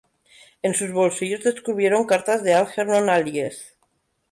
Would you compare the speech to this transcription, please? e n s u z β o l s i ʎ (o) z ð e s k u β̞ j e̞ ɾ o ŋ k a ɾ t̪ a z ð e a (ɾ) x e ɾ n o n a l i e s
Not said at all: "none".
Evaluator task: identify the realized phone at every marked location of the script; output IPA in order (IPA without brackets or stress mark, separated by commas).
o, l